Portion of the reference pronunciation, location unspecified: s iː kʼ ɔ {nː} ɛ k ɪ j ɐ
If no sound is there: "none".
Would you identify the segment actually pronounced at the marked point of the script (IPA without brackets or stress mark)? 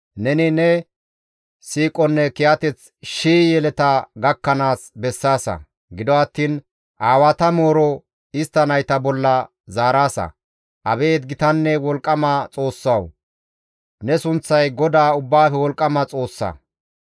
nː